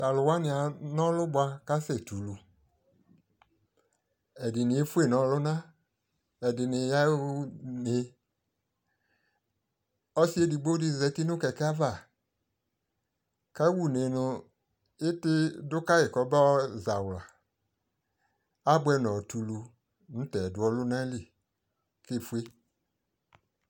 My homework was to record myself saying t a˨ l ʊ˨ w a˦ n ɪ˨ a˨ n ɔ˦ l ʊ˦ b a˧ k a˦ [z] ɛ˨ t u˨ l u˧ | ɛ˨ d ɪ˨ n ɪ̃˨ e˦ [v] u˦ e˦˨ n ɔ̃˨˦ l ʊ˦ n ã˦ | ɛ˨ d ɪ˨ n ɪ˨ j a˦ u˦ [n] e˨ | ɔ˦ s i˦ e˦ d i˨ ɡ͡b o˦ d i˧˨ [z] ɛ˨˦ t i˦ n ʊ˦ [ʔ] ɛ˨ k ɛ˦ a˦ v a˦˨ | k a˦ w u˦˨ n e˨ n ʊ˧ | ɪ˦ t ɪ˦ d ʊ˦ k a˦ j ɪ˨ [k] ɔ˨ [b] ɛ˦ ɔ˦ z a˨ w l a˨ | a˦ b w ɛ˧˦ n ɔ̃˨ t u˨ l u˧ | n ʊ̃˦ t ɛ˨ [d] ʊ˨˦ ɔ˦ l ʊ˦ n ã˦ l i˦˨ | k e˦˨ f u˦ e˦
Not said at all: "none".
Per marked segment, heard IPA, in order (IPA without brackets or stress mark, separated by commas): s, f, n, z, k, k, b, d